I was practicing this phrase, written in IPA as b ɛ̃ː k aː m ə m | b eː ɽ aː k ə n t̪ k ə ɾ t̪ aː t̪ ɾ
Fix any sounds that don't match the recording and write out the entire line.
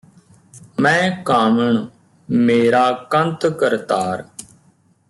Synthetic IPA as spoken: m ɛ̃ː k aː m ə ɳ | m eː ɾ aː k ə n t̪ k ə ɾ t̪ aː ɾ

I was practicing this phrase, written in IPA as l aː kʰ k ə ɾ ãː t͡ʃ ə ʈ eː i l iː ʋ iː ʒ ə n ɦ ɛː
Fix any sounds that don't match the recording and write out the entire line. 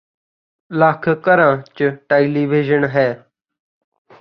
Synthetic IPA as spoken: l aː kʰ k ə ɾ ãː t͡ʃ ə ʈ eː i l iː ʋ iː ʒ ə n ɦ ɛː

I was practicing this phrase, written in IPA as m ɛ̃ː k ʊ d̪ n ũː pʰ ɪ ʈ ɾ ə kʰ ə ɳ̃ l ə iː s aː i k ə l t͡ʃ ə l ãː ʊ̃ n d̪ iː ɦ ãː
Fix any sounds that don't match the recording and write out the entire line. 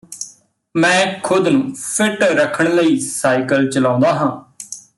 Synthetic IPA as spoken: m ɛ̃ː kʰ ʊ d̪ n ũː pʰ ɪ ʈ ɾ ə kʰ ə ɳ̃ l ə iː s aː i k ə l t͡ʃ ə l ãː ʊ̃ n d̪ aː ɦ ãː

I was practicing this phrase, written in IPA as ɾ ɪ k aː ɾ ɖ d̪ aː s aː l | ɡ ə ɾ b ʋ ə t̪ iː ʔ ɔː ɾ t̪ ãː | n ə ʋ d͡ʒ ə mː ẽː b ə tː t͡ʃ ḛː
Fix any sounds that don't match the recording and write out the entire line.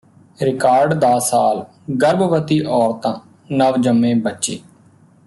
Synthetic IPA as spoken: ɾ ɪ k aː ɾ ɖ d̪ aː s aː l | ɡ ə ɾ b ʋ ə t̪ iː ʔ ɔː ɾ t̪ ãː | n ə ʋ d͡ʒ ə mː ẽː b ə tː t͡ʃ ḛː

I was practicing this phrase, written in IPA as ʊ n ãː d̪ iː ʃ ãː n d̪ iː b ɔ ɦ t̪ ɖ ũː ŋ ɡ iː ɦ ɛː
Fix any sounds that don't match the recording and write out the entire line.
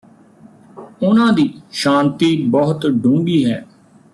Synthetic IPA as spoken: ʊ n ãː d̪ iː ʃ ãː n t̪ iː b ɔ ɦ t̪ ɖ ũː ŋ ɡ iː ɦ ɛː

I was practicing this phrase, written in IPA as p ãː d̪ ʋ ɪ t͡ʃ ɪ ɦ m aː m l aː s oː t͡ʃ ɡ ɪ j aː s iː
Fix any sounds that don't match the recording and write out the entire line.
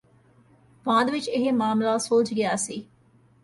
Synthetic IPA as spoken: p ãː d̪ ʋ ɪ t͡ʃ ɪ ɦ m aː m l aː s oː t͡ʃ ɡ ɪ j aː s iː

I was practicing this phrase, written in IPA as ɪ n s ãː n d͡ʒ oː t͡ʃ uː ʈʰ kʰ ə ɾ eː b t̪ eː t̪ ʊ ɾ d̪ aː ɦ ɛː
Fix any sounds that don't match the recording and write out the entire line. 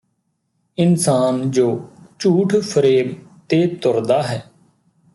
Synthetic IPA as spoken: ɪ n s aː n d͡ʒ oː t͡ʃ uː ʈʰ pʰ ə ɾ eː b t̪ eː t̪ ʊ ɾ d̪ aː ɦ ɛː

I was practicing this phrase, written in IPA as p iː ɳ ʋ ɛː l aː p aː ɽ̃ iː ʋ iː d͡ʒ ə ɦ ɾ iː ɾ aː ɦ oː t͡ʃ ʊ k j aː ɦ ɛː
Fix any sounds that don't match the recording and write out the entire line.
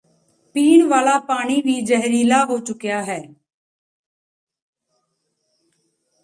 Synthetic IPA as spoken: p iː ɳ ʋ aː l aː p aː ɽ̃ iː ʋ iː d͡ʒ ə ɦ ɾ iː l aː ɦ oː t͡ʃ ʊ k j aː ɦ ɛː

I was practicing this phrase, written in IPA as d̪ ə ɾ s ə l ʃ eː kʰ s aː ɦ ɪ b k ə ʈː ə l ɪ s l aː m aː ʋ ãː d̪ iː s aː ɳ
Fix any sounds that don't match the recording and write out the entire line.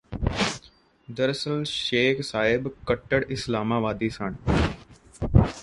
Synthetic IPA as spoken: d̪ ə ɾ s ə l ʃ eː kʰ s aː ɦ ɪ b k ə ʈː ə ɽ ɪ s l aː m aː ʋ aː d̪ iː s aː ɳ

